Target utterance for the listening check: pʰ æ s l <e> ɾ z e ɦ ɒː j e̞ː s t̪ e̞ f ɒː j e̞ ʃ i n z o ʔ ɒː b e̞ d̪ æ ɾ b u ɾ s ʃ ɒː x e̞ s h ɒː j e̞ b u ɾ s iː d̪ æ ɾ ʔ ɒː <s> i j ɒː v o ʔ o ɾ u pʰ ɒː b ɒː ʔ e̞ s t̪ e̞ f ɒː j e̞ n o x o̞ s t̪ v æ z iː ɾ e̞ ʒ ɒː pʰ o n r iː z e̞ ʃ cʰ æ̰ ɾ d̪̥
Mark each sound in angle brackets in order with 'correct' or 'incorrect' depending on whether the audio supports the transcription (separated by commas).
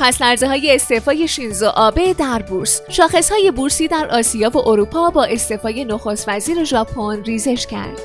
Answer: incorrect, correct